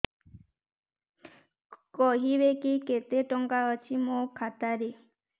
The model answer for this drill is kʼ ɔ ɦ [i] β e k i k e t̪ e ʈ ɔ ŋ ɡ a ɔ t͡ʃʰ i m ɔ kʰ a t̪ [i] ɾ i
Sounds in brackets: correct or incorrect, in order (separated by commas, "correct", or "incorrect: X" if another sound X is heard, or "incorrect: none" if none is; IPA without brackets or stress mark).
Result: correct, incorrect: a